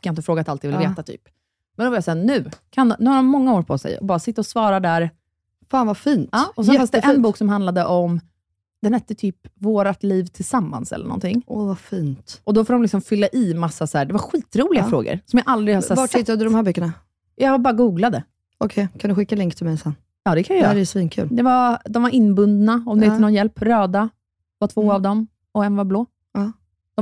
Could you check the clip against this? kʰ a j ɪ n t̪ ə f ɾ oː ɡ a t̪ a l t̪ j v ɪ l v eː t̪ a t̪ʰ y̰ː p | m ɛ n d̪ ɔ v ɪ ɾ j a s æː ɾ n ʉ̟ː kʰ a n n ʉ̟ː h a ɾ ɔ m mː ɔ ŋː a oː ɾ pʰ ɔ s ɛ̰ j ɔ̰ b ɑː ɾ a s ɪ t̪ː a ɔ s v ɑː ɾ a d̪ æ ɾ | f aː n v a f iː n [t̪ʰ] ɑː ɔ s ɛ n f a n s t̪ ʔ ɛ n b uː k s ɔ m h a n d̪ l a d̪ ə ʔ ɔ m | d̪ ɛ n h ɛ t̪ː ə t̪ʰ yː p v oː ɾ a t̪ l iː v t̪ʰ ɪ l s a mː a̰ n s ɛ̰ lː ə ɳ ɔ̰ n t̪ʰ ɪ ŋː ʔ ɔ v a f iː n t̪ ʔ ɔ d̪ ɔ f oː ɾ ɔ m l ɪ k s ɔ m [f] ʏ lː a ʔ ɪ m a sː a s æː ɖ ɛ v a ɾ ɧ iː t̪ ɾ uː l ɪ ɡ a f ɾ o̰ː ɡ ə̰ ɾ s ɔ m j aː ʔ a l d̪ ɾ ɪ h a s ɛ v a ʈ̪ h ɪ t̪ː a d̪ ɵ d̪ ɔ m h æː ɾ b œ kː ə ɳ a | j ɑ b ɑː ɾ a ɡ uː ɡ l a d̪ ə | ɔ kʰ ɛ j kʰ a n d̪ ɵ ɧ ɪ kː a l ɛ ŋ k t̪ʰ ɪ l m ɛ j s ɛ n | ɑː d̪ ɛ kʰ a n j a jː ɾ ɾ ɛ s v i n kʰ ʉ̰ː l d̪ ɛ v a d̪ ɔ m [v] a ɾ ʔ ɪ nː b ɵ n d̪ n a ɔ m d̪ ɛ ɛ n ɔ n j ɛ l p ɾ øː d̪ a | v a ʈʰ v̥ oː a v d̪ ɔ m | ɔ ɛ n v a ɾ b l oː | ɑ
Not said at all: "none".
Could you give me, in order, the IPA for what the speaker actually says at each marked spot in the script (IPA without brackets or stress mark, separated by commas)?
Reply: t̪, f, v